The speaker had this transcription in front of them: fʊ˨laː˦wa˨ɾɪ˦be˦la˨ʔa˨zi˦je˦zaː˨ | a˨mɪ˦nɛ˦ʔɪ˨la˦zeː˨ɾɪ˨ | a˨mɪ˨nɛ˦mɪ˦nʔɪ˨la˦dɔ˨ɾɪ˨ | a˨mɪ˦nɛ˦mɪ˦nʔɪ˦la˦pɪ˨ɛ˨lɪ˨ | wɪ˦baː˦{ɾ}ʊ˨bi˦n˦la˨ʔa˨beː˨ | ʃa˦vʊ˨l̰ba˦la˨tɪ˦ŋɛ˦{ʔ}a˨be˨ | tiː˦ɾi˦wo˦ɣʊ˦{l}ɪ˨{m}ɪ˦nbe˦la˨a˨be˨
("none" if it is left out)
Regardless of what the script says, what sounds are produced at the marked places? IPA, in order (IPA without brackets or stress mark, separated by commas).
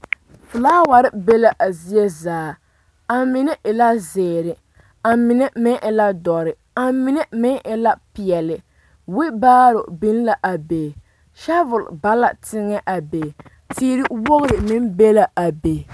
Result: ɾ, ʔ, ɾ, m